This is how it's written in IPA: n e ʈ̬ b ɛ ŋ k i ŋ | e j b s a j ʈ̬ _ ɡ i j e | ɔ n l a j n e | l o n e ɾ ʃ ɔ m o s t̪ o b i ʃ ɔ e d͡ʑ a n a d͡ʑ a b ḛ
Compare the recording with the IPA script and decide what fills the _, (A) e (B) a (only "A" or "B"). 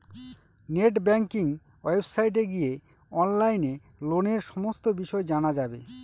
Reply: A